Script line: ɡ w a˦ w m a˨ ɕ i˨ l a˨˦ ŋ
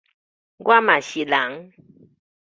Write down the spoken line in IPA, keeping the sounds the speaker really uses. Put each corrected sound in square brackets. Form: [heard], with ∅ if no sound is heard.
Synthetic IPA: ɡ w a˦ [∅] m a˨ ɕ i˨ l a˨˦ ŋ

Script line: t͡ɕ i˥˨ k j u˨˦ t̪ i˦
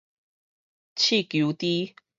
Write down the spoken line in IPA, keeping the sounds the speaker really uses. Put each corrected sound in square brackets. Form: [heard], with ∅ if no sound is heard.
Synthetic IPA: [t͡ɕʰ] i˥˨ k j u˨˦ t̪ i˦

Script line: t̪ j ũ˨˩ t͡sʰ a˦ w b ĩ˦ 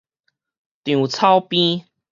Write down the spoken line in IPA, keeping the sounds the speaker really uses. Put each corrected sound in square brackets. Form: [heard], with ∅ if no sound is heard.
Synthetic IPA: t̪ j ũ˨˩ t͡sʰ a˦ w [p] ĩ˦

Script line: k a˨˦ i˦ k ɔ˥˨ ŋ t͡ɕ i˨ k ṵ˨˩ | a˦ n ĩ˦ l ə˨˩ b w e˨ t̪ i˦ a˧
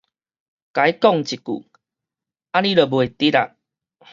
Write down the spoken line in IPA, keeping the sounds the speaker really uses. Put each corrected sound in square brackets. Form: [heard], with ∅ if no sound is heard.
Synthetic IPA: k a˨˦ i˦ k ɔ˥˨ ŋ t͡ɕ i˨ k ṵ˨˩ | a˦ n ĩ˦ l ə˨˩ b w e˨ t̪ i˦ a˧

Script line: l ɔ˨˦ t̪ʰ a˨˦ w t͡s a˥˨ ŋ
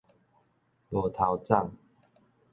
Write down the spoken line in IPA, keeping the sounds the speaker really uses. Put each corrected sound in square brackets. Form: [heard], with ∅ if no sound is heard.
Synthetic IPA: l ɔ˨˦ t̪ʰ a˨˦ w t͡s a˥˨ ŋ

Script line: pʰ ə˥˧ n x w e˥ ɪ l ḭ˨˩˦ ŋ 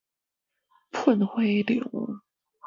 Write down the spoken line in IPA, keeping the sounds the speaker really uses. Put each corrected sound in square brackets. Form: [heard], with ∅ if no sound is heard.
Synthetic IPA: pʰ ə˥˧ n x w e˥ ɪ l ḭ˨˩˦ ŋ

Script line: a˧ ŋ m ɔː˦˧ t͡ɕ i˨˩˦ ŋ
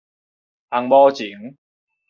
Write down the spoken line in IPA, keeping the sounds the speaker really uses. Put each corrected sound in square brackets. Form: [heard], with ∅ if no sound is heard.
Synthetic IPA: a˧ ŋ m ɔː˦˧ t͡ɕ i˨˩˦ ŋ

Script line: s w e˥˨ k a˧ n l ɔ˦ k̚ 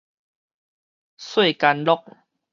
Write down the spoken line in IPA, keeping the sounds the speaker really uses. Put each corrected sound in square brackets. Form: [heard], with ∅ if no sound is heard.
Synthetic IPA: s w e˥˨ k a˧ n l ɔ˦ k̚

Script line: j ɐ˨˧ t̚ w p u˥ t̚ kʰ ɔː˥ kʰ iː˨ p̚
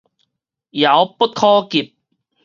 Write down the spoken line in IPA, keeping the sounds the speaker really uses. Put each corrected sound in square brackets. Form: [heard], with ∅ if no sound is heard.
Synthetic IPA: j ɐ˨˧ [∅] w p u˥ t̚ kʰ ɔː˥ [k] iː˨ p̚

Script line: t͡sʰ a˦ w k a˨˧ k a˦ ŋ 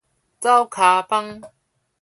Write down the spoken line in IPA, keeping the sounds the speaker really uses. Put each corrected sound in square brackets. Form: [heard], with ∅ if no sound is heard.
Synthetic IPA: [t͡s] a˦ w [kʰ] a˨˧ [p] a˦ ŋ

